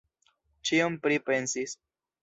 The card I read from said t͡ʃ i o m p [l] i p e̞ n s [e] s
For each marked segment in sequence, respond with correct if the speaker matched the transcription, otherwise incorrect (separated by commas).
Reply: incorrect, incorrect